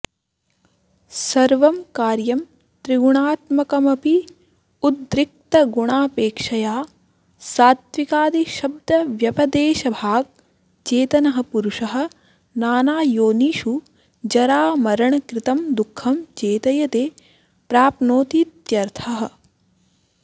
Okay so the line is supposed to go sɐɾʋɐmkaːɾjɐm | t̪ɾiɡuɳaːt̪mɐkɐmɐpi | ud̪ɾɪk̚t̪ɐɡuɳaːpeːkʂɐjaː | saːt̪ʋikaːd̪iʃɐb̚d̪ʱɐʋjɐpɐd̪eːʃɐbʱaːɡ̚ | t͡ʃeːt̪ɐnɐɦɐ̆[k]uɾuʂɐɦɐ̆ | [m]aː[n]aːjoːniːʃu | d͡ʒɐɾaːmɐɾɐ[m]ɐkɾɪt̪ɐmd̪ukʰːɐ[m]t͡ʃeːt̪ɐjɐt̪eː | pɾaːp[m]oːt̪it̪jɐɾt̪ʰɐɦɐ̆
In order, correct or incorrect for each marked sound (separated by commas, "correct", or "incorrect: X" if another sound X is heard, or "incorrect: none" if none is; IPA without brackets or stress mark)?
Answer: incorrect: p, incorrect: n, correct, incorrect: ɳ, correct, incorrect: n